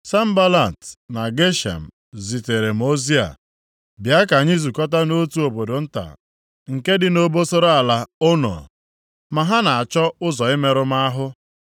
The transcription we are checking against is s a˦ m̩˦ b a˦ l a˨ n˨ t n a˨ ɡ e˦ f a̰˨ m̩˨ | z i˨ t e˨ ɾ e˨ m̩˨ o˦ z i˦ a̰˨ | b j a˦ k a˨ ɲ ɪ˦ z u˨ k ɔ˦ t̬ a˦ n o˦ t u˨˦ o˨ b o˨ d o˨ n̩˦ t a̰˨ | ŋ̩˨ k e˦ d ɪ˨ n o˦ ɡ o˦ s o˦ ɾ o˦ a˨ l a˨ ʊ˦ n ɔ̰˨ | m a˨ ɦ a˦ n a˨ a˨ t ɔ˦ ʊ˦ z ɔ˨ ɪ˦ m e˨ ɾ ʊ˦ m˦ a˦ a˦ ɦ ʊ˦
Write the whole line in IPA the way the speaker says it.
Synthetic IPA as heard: s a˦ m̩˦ b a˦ l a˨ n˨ t n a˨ ɡ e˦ ʃ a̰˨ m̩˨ | z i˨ t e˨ ɾ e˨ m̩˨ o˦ z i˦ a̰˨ | b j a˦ k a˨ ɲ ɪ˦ z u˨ k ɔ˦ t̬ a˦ n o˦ t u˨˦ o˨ b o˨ d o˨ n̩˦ t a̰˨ | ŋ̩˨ k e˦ d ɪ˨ n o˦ b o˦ s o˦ ɾ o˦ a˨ l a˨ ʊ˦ n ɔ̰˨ | m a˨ ɦ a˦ n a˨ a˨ t͡ʃ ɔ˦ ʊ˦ z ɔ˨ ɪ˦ m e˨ ɾ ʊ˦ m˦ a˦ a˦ ɦ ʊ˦